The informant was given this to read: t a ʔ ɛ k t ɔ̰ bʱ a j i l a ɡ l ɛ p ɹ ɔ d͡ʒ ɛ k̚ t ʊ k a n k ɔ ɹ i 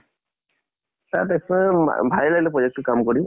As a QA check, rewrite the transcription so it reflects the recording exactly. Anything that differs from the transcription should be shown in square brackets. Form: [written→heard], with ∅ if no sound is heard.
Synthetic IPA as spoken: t a [ʔ→t] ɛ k [t→s] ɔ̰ bʱ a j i l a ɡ l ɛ p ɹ ɔ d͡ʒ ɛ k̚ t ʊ k a [n→m] k ɔ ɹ i